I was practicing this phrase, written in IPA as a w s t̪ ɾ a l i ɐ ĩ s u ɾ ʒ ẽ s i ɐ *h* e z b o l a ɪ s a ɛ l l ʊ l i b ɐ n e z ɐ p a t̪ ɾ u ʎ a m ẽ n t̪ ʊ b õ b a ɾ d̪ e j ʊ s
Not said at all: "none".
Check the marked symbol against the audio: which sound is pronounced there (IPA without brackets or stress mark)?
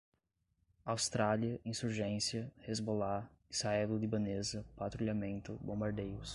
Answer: h